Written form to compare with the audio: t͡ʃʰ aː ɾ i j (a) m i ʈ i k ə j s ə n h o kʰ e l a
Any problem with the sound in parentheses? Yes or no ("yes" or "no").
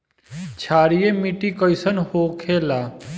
yes